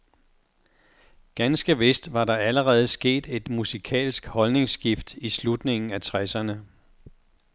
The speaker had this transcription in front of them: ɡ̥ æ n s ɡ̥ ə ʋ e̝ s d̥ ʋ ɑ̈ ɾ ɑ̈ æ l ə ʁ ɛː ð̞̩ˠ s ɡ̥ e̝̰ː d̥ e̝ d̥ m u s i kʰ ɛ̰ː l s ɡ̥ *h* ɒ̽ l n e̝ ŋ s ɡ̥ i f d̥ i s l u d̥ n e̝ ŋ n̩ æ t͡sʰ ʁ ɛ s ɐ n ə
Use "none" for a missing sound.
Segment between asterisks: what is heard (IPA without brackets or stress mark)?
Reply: h